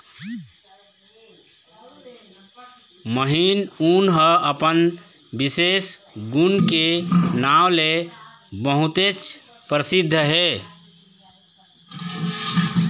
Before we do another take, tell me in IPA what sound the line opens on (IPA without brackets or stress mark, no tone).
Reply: m